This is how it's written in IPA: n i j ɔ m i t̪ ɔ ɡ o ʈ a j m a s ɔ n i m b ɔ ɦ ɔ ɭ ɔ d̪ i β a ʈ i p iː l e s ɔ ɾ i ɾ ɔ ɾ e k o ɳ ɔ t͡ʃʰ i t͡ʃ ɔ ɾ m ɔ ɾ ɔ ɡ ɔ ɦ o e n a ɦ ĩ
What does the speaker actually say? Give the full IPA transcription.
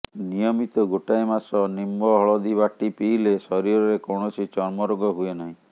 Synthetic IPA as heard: n i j ɔ m i t̪ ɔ ɡ o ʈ a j m a s ɔ n i m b ɔ ɦ ɔ ɭ ɔ d̪ i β a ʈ i p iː l e s ɔ ɾ i ɾ ɔ ɾ e k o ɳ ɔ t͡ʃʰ i t͡ʃ ɔ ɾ m ɔ ɾ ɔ ɡ ɔ ɦ u e n a ɦ ĩ